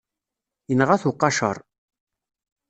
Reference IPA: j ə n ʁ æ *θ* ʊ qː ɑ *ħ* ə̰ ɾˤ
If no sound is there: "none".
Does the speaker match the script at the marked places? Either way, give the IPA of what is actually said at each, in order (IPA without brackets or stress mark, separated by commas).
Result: θ, ʃ